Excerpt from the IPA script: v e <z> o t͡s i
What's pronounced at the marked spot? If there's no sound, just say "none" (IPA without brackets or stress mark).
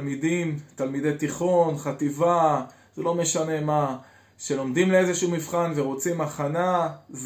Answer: ʁ